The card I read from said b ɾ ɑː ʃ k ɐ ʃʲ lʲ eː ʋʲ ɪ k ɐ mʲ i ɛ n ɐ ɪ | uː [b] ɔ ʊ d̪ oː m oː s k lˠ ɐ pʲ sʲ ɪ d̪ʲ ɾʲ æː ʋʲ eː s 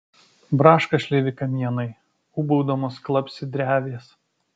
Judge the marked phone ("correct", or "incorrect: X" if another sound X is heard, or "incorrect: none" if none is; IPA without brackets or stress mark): correct